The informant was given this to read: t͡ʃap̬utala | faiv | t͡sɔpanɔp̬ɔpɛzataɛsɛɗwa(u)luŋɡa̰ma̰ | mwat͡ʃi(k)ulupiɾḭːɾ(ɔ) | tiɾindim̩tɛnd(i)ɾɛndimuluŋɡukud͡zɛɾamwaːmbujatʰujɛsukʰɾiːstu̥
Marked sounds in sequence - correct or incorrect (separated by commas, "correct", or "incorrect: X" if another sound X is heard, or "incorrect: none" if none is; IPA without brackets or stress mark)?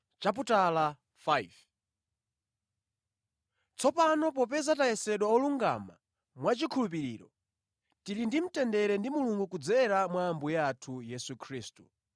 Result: incorrect: ɔ, incorrect: kʰ, correct, incorrect: ɛ